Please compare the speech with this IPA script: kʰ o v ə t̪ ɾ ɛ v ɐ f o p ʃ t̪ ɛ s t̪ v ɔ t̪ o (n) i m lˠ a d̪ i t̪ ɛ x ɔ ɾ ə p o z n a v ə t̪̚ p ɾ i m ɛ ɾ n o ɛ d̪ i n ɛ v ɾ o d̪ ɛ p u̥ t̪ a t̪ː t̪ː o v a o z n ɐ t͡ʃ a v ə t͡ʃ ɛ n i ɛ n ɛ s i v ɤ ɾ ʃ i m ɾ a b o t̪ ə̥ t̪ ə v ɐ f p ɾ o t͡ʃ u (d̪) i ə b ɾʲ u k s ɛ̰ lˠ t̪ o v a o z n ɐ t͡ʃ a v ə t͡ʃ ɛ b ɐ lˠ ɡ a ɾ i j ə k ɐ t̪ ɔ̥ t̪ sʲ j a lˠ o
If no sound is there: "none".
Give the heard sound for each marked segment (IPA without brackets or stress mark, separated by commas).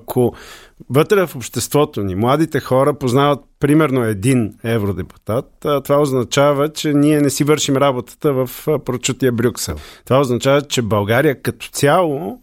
n, t̪